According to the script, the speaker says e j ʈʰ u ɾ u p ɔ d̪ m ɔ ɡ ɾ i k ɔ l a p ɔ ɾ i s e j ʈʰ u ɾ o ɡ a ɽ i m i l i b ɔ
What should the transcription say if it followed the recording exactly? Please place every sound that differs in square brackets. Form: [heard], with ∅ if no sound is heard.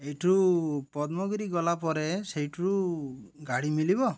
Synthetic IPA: e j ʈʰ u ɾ u p ɔ d̪ m ɔ ɡ ɾ i [ɡ] ɔ l a p ɔ ɾ [e] s e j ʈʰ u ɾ [u] ɡ a ɽ i m i l i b ɔ